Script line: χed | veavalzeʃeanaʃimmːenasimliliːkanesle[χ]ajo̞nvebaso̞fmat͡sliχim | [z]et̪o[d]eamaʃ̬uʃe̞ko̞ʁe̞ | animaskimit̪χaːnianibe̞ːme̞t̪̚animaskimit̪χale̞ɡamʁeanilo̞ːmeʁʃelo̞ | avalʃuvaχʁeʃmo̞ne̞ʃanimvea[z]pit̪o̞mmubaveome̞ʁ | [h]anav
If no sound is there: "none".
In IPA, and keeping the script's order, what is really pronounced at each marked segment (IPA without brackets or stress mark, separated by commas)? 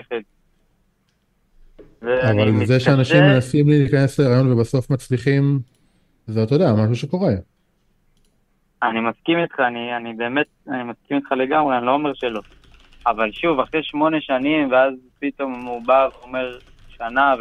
ʁ, z, d, z, ʃ